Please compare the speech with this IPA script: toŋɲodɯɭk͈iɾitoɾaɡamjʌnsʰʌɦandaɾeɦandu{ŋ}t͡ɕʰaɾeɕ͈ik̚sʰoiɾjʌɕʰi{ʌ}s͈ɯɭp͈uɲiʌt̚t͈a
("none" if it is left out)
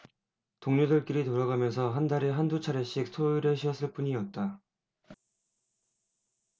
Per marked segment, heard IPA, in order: none, ʌ

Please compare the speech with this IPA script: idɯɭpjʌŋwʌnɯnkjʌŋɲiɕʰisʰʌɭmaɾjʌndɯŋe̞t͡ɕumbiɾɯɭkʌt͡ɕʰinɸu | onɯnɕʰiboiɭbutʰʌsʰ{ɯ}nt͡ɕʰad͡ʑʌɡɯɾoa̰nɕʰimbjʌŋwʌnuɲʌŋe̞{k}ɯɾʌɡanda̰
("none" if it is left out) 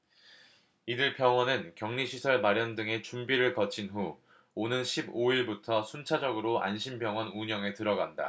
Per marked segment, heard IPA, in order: u, t

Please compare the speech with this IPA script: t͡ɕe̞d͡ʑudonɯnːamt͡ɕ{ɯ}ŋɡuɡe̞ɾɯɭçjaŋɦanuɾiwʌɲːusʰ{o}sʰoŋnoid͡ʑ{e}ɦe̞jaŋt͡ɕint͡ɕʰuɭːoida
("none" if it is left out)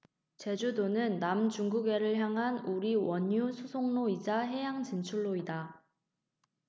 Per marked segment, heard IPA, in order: u, u, a

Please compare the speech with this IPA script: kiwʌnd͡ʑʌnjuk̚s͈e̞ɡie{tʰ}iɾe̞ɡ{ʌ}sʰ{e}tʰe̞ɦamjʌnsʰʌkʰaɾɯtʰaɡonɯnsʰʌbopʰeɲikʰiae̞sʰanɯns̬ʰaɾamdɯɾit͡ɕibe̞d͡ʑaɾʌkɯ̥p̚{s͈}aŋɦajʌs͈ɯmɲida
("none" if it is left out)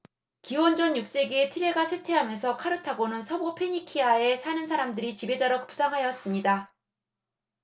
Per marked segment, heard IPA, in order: tʰ, a, e, s͈

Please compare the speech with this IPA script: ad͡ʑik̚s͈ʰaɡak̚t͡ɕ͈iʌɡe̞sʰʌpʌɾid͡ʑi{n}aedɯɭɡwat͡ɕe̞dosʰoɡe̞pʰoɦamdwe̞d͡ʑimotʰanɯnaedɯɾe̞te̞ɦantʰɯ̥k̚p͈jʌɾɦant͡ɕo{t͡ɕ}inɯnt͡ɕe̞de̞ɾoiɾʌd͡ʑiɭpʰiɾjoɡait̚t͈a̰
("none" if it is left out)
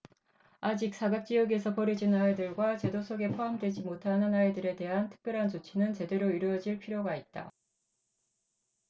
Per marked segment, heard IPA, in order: n, t͡ɕʰ

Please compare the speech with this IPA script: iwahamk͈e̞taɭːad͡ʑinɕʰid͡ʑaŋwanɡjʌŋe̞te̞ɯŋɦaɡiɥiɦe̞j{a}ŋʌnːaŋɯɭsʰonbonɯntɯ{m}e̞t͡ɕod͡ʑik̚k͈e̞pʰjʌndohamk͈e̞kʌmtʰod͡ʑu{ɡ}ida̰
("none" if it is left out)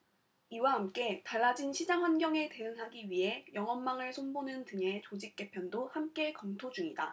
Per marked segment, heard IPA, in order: ʌ, ŋ, ŋ

